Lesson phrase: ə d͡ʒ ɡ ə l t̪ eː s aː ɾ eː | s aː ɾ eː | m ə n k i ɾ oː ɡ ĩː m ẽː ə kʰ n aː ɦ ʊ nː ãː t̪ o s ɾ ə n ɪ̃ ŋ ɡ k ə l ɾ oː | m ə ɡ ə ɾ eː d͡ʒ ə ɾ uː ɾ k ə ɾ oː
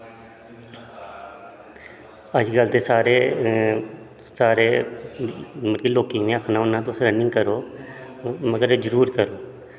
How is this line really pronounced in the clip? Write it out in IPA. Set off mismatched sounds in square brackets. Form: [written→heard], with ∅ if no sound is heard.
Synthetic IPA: ə d͡ʒ ɡ ə l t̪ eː s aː ɾ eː | s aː ɾ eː | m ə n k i [ɾ→l] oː [ɡ→k] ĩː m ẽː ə kʰ n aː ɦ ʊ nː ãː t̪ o s ɾ ə n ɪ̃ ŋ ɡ k ə [l→∅] ɾ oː | m ə ɡ ə ɾ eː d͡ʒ ə ɾ uː ɾ k ə ɾ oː